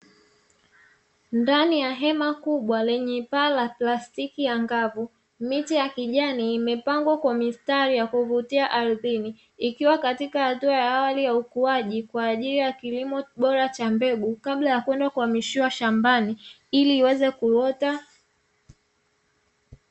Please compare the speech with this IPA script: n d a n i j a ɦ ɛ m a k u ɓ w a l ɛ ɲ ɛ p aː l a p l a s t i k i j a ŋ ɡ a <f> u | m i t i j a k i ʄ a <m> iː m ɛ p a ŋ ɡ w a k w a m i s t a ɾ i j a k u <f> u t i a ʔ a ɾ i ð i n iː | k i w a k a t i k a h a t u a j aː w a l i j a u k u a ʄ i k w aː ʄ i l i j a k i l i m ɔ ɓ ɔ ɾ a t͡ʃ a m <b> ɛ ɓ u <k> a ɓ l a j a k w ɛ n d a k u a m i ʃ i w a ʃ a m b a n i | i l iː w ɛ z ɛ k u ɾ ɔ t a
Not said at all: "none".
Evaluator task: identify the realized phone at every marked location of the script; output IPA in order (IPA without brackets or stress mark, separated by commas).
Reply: v, n, v, b, k